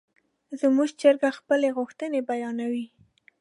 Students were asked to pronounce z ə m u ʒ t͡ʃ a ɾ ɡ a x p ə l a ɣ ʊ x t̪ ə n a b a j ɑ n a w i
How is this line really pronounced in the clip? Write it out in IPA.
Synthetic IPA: z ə m u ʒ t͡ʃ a ɾ ɡ a x p ə l e ɣ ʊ x t̪ ə n e b a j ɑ n a w i